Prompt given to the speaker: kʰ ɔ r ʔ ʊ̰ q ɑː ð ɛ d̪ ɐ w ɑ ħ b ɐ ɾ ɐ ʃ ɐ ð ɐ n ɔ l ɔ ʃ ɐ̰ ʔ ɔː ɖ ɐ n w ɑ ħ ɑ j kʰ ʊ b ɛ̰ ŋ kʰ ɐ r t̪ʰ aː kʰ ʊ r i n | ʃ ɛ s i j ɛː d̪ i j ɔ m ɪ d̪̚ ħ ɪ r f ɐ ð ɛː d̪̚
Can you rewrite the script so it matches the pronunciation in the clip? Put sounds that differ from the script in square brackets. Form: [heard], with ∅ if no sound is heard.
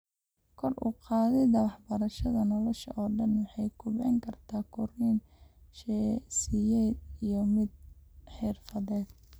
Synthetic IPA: kʰ ɔ r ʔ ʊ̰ q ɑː ð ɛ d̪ ɐ w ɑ ħ b ɐ ɾ ɐ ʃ ɐ ð ɐ n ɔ l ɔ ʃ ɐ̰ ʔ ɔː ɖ ɐ n w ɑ ħ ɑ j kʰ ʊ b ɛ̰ ŋ kʰ ɐ r t̪ʰ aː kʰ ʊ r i n | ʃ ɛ s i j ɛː d̪ i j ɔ m ɪ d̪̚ ħ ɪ r f ɐ ð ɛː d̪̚